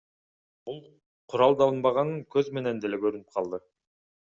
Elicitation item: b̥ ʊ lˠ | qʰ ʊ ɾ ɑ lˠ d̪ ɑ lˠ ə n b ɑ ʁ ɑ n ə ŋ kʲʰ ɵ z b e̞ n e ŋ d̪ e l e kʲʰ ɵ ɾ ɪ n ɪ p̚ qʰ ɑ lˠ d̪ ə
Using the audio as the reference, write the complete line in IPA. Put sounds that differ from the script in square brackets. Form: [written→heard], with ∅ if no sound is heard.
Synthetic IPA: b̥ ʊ lˠ | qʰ ʊ ɾ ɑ lˠ d̪ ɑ lˠ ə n b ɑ ʁ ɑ n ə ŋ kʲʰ ɵ z [b→m] e̞ n e [ŋ→n] d̪ e l e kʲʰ ɵ ɾ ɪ n ɪ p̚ qʰ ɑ lˠ d̪ ə